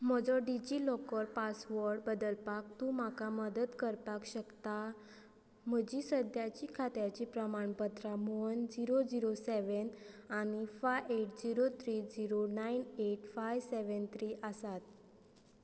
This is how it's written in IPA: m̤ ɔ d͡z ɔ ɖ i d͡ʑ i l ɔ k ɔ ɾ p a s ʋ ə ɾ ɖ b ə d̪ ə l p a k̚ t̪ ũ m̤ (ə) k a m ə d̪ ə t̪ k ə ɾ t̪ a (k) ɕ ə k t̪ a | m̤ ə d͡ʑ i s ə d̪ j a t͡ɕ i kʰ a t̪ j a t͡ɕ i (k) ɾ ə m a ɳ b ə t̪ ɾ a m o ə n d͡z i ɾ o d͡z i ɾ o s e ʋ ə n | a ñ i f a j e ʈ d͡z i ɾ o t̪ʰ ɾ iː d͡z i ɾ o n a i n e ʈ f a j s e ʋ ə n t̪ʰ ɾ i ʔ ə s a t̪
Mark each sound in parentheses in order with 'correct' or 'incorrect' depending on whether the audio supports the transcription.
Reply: incorrect, correct, incorrect

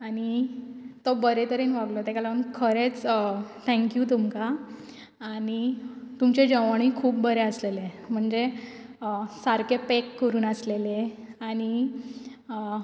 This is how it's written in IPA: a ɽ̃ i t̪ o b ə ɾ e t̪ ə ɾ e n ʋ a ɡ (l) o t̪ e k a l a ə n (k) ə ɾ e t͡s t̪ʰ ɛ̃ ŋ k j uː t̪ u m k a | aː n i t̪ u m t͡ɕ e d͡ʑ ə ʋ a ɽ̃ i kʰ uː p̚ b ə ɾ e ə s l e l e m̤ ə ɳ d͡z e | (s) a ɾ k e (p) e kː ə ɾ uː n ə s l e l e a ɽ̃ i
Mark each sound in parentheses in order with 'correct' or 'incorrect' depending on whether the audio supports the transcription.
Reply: correct, incorrect, correct, correct

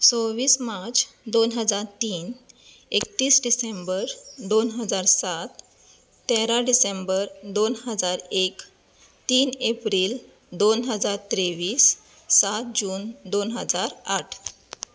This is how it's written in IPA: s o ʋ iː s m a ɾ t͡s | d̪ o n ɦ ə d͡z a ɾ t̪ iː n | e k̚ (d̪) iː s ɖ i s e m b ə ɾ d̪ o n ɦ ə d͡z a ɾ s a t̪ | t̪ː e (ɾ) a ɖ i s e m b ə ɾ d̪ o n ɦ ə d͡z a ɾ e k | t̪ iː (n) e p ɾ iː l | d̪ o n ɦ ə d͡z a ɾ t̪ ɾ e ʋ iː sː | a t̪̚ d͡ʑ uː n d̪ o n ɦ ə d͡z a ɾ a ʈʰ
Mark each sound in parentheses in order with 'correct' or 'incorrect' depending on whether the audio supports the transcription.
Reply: incorrect, correct, correct

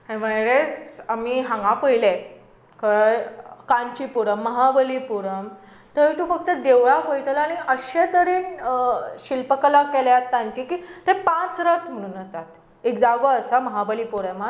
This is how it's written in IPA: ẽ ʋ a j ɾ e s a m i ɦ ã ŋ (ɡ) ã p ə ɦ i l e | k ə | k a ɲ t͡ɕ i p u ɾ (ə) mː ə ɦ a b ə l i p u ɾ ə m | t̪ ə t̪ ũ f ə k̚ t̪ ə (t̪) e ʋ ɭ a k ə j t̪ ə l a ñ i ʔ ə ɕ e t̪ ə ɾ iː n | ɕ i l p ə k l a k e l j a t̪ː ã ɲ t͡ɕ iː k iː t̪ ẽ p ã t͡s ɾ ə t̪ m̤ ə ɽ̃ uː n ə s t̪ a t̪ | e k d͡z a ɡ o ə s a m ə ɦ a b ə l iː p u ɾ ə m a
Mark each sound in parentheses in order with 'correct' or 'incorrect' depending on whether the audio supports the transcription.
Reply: correct, correct, incorrect

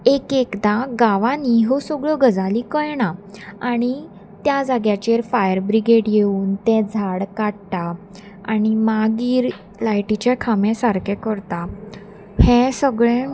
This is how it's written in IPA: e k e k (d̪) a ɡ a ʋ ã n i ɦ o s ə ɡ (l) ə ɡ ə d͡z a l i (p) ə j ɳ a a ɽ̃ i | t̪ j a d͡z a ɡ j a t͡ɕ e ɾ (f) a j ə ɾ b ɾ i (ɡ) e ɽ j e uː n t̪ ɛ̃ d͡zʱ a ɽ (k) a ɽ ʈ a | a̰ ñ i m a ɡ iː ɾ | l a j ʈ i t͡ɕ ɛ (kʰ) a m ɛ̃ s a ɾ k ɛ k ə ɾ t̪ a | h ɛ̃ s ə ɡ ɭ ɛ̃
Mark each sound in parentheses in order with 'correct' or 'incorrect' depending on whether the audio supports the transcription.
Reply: correct, incorrect, incorrect, correct, correct, correct, correct

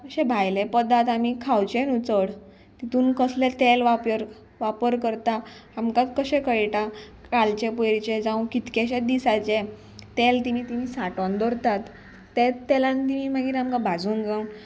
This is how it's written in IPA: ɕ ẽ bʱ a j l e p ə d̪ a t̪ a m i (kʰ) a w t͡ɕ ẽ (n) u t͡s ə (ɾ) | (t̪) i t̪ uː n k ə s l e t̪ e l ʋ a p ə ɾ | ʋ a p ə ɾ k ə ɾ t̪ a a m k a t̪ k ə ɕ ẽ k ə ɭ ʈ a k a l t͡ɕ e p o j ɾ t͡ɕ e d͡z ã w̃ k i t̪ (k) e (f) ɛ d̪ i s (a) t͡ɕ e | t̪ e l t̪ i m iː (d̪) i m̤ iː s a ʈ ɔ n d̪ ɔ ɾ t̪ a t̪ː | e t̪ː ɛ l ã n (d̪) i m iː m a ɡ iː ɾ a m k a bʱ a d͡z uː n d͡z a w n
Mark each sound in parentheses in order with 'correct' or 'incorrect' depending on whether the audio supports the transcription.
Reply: correct, correct, incorrect, correct, correct, incorrect, correct, incorrect, incorrect

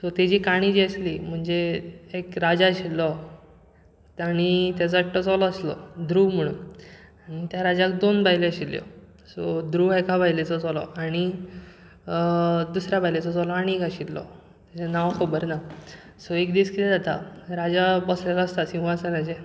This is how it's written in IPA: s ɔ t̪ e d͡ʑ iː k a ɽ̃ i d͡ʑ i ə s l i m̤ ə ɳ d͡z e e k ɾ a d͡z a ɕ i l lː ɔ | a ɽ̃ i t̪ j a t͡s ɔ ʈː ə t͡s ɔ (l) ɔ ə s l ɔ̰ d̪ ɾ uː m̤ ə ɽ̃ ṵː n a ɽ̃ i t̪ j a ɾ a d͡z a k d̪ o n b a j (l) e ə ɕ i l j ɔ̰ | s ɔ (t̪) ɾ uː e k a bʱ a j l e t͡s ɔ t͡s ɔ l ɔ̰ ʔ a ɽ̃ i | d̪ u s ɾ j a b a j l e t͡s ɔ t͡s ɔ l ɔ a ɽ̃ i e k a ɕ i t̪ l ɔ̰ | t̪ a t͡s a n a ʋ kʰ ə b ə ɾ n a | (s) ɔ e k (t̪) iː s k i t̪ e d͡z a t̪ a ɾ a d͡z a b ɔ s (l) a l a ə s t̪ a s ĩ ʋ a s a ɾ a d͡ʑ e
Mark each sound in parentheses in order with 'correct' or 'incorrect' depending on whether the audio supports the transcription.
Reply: correct, correct, incorrect, correct, incorrect, correct

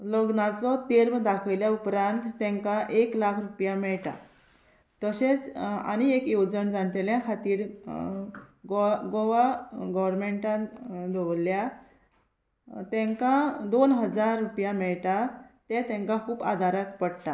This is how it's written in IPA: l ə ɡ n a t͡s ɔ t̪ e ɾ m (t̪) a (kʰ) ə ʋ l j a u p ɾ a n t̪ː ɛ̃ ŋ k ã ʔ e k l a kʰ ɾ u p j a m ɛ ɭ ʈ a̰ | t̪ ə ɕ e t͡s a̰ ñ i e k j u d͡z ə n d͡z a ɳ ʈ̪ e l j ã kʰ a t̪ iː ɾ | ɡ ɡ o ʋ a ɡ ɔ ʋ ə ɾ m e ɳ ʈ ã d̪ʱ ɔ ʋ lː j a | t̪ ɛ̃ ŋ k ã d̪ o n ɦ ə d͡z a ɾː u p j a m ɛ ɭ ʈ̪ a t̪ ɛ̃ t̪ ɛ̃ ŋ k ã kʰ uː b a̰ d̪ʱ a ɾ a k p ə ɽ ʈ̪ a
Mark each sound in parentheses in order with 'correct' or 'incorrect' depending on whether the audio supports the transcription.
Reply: incorrect, correct

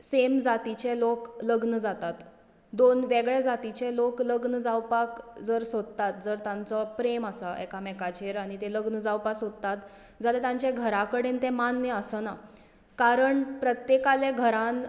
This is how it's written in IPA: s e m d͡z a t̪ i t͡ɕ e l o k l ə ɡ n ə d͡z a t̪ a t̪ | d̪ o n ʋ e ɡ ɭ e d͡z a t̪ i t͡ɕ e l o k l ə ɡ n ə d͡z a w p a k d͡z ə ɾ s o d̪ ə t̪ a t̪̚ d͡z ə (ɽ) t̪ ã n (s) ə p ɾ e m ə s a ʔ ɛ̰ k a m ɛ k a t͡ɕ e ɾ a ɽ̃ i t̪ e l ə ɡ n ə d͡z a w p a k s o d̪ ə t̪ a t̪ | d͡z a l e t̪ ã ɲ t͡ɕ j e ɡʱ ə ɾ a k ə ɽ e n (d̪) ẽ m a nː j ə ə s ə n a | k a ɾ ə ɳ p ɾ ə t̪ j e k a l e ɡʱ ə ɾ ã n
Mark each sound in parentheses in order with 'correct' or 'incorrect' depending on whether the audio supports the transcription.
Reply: incorrect, incorrect, incorrect

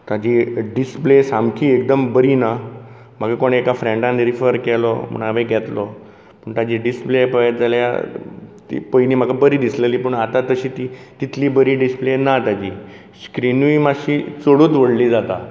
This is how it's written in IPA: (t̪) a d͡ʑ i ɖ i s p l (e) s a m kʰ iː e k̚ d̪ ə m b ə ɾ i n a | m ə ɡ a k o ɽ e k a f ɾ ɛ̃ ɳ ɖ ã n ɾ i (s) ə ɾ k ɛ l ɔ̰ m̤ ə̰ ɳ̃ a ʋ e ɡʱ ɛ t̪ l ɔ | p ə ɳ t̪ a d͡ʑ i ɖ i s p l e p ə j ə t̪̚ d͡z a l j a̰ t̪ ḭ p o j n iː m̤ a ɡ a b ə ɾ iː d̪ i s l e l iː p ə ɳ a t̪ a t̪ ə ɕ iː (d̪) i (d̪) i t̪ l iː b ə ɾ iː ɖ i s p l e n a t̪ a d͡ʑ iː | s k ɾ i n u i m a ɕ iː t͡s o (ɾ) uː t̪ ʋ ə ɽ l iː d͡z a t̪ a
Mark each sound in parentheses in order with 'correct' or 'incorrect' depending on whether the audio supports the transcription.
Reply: correct, correct, incorrect, incorrect, incorrect, incorrect

